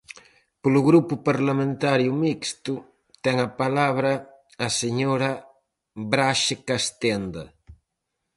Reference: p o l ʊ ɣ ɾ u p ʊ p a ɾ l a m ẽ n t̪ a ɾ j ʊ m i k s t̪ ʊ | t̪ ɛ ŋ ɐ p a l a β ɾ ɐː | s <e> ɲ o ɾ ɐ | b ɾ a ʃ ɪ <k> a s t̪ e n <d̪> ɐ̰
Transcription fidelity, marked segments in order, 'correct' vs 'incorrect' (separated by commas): correct, correct, correct